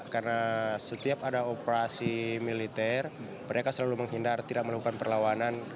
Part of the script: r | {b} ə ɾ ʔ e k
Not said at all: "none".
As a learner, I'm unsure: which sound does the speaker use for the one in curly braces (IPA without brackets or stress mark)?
m